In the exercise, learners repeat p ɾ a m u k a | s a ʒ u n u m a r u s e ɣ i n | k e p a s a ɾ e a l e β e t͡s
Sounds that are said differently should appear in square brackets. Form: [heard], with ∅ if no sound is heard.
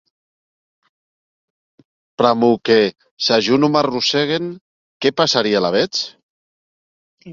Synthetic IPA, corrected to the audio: p ɾ a m u k [e] | s a ʒ u n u m a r u s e ɣ [e] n | k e p a s a ɾ [i] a l [a] β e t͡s